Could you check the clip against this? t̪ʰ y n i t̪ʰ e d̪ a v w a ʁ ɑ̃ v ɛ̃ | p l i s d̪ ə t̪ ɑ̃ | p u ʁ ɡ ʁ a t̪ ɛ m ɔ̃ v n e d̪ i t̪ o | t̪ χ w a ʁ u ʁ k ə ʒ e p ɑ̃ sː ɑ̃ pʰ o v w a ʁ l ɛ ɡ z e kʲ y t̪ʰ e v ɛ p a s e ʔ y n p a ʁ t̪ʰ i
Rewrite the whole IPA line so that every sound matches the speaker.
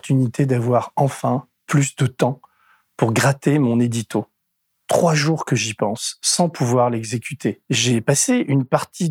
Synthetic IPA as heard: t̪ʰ y n i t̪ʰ e d̪ a v w a ʁ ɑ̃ f ɛ̃ | p l y s d̪ ə t̪ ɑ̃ | p u ʁ ɡ ʁ a t̪ e m ɔ̃ n e d̪ i t̪ o | t̪ χ w a ʒ u ʁ k ə ʒ i p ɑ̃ sː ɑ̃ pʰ u v w a ʁ l ɛ ɡ z e kʲ y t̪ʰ e ʒ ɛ p a s e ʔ y n p a ʁ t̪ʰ i